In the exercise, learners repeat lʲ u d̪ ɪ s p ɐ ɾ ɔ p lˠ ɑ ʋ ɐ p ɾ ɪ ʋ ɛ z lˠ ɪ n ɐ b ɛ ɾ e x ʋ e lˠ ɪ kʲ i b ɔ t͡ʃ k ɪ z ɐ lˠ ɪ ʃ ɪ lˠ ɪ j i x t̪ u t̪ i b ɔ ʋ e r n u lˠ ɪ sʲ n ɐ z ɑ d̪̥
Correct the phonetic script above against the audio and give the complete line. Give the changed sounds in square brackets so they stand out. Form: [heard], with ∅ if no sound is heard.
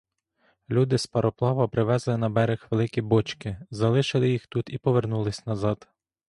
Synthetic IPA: lʲ u d̪ ɪ s p ɐ ɾ ɔ p lˠ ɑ ʋ ɐ p ɾ ɪ ʋ ɛ z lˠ ɪ n ɐ b ɛ ɾ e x ʋ e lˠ ɪ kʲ i b ɔ t͡ʃ k ɪ z ɐ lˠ ɪ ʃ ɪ lˠ ɪ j i x t̪ u t̪ i [p] ɔ ʋ e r n u lˠ ɪ sʲ n ɐ z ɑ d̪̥